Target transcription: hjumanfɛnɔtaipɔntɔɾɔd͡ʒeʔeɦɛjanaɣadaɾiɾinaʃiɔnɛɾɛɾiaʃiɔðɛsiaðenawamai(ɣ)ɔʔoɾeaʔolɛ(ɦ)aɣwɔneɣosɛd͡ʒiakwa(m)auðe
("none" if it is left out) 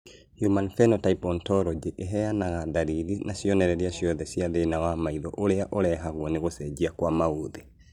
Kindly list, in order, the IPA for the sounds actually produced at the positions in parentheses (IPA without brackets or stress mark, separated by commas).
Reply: ð, ɦ, m